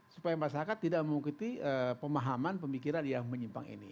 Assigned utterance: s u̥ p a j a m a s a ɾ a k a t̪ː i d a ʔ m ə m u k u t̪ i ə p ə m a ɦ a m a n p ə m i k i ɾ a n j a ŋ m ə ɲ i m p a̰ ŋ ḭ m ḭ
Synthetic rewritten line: s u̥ p a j a m a s a ɾ a k a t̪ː i d a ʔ m ə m u k u t̪ i ə p ə m a ɦ a m a n p ə m i k i ɾ a n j a ŋ m ə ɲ i m p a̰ ŋ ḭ n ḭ